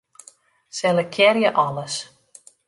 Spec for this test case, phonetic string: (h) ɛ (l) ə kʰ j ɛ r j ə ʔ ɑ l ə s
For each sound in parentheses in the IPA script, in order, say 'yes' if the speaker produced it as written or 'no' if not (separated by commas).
no, yes